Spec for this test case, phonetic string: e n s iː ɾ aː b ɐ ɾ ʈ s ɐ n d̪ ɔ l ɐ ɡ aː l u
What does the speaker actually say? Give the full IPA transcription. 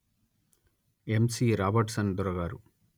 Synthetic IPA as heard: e m s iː ɾ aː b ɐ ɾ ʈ s ɐ n d̪ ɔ ɾ ɐ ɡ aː ɾ u